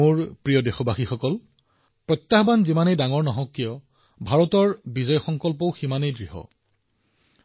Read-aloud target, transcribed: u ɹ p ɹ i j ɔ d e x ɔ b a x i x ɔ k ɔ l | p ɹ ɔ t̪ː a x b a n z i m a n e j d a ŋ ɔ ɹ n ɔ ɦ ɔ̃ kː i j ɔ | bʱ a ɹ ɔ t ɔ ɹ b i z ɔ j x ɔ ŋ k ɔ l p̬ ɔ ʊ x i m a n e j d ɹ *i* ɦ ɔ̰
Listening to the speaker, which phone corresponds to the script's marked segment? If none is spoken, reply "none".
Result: i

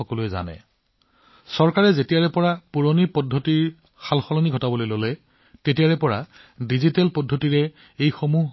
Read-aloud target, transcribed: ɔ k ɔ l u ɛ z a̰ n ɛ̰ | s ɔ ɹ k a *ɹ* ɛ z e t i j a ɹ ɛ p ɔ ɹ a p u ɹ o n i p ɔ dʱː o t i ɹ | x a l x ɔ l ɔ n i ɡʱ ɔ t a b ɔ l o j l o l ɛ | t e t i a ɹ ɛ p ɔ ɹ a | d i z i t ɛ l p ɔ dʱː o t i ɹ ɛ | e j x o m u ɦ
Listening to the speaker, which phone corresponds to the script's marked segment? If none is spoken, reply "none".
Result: ɹ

